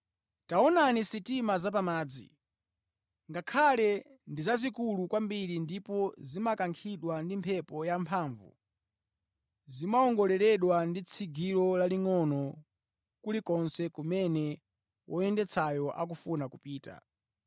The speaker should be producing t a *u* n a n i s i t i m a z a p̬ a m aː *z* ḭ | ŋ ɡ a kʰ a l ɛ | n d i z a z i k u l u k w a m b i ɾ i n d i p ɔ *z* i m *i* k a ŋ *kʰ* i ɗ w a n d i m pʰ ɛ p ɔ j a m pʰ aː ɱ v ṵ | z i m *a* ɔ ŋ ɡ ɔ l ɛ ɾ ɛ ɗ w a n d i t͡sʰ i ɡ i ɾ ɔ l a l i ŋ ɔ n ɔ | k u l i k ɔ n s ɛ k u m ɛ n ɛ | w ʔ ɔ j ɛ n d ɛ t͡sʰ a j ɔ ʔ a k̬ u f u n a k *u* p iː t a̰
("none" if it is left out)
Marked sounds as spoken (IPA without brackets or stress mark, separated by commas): ɔ, d͡z, z, a, kʰ, a, u